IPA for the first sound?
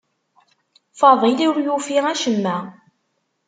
f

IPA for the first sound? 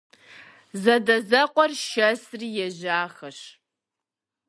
z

